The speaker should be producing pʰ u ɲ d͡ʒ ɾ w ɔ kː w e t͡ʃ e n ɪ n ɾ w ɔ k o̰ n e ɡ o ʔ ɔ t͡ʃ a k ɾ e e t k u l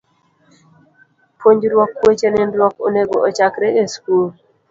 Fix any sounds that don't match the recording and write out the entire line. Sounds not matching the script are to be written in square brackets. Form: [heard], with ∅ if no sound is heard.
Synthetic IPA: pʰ [o] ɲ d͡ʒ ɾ w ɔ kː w e t͡ʃ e n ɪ n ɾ w ɔ k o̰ n e ɡ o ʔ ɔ t͡ʃ a k ɾ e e [s] k u l